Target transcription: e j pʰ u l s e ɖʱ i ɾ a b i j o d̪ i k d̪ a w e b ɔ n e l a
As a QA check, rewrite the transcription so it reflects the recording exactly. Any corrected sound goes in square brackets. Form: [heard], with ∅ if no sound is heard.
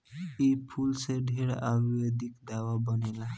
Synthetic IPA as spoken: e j pʰ u l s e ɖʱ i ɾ a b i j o d̪ i k d̪ a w [a] b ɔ n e l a